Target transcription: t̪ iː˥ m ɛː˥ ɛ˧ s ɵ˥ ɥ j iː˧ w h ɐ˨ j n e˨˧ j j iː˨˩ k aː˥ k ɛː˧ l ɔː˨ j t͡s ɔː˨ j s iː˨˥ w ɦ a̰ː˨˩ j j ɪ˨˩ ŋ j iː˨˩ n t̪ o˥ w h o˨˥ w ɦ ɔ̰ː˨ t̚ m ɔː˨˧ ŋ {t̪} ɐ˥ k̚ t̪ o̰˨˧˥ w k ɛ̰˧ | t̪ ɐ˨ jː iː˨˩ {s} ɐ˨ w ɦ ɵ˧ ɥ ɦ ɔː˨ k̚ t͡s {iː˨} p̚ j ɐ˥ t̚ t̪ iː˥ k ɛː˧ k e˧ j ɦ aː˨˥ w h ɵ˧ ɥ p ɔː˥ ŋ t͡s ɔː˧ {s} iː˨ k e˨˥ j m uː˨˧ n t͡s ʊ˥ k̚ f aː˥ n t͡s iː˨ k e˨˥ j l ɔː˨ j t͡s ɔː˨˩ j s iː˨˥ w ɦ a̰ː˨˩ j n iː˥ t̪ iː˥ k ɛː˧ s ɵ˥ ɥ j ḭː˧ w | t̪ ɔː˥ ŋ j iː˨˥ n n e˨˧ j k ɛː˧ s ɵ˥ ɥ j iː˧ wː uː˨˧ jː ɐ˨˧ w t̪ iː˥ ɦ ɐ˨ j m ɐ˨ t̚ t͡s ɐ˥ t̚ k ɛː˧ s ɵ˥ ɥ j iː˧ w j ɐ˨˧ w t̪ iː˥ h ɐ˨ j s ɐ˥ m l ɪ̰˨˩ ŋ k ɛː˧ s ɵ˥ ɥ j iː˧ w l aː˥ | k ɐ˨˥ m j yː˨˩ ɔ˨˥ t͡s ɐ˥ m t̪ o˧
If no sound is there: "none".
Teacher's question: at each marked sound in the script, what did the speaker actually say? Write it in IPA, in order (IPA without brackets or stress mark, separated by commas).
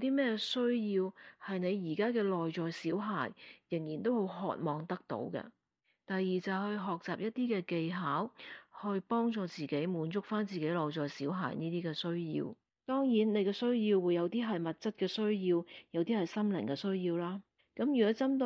t̪, t͡s, aː˨, t͡s